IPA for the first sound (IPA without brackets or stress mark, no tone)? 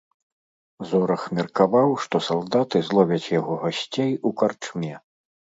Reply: z